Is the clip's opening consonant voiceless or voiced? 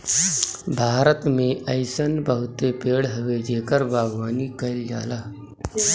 voiced